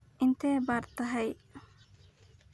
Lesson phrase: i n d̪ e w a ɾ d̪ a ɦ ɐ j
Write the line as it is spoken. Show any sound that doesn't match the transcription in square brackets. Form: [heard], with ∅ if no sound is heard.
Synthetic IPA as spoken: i n [t̪] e [b] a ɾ [t̪] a ɦ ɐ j

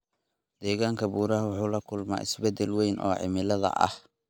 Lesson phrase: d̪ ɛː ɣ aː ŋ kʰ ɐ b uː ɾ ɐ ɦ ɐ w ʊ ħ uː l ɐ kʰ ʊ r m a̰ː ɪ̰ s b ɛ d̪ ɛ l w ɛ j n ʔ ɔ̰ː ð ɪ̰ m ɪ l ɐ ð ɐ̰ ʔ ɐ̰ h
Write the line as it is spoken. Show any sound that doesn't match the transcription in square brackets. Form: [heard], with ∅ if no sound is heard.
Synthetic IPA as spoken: d̪ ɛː ɣ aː ŋ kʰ ɐ b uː ɾ ɐ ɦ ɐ w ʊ ħ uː l ɐ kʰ ʊ [l] m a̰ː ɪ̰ s b ɛ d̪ ɛ l w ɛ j n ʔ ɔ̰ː [ʕ] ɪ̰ m ɪ l ɐ ð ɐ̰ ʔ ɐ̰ h

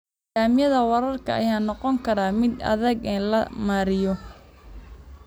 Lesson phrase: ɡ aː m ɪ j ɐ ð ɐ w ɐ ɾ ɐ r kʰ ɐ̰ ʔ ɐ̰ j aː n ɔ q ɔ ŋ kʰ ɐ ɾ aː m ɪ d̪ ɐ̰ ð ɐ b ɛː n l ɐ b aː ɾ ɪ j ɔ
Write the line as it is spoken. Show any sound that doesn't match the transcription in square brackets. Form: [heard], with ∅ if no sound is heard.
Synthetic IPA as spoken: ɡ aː m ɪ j ɐ ð ɐ w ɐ ɾ ɐ r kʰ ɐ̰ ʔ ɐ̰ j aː n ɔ q ɔ ŋ kʰ ɐ ɾ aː m ɪ d̪ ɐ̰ ð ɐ [ɡ] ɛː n l ɐ [m] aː ɾ ɪ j ɔ

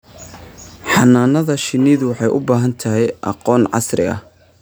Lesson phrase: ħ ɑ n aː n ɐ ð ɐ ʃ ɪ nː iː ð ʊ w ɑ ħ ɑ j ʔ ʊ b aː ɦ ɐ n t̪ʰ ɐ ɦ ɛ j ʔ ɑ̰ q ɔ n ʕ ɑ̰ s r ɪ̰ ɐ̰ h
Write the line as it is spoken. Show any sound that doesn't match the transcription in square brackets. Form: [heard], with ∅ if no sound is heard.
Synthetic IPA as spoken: ħ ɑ n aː n ɐ ð ɐ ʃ ɪ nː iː ð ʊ w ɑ ħ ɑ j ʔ ʊ b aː ɦ ɐ n t̪ʰ ɐ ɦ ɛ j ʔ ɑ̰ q [ɔː] n ʕ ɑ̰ s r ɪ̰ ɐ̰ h

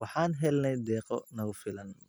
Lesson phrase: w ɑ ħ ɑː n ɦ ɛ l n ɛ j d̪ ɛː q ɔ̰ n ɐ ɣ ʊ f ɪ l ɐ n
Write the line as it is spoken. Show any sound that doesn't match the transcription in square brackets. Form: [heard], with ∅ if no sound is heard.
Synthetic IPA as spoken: w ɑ ħ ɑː n ɦ ɛ l n ɛ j d̪ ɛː q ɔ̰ n ɐ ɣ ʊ f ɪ l ɐ n

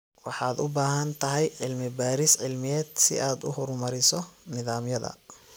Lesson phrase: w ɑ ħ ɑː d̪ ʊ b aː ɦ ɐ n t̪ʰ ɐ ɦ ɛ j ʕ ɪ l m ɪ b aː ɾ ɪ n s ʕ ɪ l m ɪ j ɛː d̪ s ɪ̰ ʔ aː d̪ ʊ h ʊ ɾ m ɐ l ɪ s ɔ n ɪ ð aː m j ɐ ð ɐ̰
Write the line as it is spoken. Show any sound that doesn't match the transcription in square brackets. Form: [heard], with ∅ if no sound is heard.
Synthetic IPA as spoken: w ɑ ħ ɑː d̪ ʊ b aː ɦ ɐ n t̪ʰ ɐ ɦ ɛ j ʕ ɪ l m ɪ b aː ɾ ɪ [∅] s ʕ ɪ l m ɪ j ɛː d̪ s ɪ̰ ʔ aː d̪ ʊ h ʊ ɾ m ɐ [ɾ] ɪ s ɔ n ɪ ð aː m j ɐ ð ɐ̰

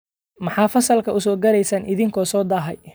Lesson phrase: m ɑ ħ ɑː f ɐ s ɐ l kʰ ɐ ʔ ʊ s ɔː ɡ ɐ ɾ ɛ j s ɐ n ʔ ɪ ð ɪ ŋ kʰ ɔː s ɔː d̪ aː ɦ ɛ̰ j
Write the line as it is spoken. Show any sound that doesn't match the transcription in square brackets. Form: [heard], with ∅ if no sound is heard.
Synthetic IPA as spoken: m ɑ ħ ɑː f ɐ s ɐ l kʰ ɐ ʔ ʊ s ɔː ɡ ɐ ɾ ɛ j s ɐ n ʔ ɪ ð ɪ ŋ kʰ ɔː s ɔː d̪ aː ɦ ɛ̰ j

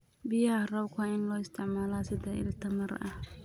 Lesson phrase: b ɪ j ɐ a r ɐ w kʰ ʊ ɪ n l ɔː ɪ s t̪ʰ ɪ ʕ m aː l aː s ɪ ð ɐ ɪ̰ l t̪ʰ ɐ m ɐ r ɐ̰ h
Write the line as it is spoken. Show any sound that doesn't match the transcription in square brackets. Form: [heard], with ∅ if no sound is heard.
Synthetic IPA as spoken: b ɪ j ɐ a r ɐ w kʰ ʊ ɪ n l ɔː ɪ s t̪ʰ ɪ ʕ m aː l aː s ɪ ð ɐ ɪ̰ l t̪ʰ ɐ m ɐ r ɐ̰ h

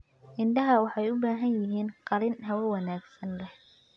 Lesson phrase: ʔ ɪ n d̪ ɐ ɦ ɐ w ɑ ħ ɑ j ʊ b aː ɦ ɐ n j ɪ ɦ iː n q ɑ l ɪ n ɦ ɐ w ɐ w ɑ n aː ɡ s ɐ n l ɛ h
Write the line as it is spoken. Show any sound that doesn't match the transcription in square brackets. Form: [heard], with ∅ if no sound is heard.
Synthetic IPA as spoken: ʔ ɪ n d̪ ɐ ɦ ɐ w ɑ ħ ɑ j ʊ b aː ɦ ɐ n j ɪ ɦ iː n q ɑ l ɪ n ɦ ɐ w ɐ w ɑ n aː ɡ s ɐ n l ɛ h

